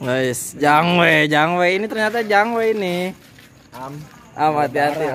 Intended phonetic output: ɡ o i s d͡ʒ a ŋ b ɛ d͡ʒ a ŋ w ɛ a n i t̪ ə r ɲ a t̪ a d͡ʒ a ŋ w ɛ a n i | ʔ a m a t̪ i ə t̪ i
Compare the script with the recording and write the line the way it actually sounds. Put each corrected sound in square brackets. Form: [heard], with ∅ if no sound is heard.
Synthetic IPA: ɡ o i s d͡ʒ a ŋ [w] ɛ d͡ʒ a ŋ w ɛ [i] n i t̪ ə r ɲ a t̪ a d͡ʒ a ŋ w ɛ [i] n i | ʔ a m a t̪ i [a] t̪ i